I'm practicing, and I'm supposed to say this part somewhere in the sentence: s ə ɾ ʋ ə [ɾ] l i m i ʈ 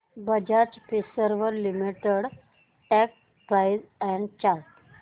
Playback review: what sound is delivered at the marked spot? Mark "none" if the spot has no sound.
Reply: ɾ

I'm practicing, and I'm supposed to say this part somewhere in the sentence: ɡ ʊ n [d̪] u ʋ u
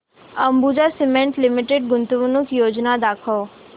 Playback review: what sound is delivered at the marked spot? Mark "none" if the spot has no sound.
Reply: t̪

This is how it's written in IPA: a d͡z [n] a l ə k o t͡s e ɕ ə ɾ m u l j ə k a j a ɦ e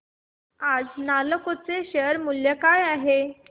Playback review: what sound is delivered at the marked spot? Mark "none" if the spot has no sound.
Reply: n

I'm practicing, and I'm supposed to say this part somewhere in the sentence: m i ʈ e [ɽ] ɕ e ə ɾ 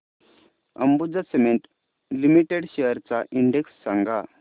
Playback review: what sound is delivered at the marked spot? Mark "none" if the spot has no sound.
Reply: ɽ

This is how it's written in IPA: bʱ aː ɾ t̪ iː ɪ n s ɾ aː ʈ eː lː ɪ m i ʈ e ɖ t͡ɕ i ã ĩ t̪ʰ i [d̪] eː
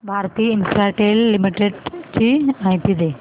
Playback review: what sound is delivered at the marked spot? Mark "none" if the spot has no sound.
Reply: d̪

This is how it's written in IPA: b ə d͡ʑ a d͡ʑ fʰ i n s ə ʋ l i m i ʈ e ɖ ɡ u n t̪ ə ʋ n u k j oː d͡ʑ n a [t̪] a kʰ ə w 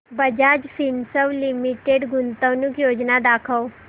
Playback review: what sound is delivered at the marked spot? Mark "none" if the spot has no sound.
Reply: d̪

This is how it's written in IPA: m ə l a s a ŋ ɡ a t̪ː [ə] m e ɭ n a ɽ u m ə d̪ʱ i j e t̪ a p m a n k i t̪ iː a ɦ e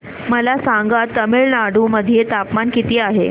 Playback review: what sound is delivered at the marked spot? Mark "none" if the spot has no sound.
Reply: ə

